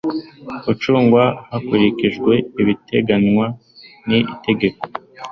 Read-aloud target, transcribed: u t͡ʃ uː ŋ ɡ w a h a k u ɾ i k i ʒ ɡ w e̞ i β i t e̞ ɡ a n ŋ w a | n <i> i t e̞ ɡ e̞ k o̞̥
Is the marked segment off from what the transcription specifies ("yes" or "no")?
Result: no